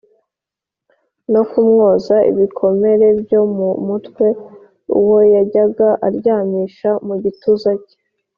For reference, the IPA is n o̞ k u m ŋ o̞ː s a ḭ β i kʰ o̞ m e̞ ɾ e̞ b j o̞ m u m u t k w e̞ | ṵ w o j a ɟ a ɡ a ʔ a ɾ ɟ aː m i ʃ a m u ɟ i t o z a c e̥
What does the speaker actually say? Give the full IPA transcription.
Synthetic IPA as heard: n o̞ k u m ŋ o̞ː z a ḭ β i kʰ o̞ m e̞ ɾ e̞ b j o̞ m u m u t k w e̞ | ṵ w o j a ɟ a ɡ a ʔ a ɾ ɟ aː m i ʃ a m u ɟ i t u z a c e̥